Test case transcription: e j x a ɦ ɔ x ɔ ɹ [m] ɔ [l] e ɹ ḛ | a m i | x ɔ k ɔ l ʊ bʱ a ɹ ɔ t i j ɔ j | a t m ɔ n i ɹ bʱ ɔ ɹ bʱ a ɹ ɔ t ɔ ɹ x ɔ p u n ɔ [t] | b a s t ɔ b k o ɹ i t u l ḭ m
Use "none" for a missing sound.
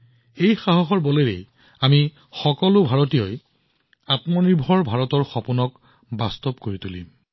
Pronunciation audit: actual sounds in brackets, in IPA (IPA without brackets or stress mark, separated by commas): b, l, k